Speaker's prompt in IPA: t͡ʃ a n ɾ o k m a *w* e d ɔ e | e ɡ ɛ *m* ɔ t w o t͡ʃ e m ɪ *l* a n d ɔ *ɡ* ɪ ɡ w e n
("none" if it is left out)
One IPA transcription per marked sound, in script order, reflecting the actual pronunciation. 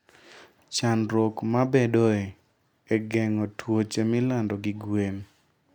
b, ŋ, l, ɡ

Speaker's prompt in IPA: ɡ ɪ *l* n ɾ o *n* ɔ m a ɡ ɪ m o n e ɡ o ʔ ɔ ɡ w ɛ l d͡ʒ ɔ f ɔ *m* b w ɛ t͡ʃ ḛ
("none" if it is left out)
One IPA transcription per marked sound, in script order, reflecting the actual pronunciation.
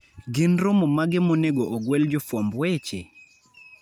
none, m, m

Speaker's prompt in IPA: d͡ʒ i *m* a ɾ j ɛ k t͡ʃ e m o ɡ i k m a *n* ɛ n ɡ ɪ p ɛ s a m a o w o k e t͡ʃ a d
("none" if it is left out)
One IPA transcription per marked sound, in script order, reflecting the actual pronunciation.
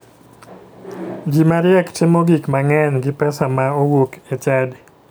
m, ŋ

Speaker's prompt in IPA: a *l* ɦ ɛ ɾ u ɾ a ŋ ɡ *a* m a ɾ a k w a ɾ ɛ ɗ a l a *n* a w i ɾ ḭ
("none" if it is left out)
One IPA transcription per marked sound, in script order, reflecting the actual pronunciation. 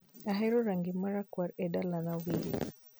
none, i, n

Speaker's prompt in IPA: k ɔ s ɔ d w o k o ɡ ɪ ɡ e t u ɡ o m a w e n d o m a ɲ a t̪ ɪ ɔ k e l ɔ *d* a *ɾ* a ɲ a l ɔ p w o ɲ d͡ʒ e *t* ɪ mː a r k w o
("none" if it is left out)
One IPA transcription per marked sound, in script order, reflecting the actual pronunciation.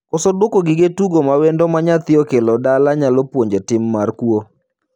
d, l, t

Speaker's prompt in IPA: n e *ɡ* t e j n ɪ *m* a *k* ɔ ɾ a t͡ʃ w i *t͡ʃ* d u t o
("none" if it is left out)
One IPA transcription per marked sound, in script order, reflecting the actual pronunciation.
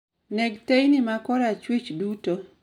ɡ, m, k, t͡ʃ

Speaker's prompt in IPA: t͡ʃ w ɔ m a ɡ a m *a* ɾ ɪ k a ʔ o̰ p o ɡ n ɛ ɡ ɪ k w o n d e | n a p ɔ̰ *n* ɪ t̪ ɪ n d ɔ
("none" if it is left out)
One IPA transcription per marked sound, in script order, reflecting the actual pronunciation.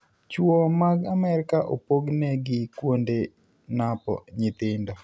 ɛ, ɲ

